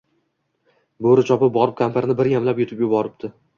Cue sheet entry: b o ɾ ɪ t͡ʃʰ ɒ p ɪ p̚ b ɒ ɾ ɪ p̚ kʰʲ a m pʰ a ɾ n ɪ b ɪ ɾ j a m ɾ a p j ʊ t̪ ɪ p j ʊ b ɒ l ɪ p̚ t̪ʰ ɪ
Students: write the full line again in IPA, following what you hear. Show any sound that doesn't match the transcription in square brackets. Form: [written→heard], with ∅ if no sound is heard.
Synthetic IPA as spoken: b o ɾ ɪ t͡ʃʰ ɒ p ɪ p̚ b ɒ ɾ ɪ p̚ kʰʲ a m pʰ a ɾ n ɪ b ɪ ɾ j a m [ɾ→l] a p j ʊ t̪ ɪ p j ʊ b ɒ [l→ɾ] ɪ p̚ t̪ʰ ɪ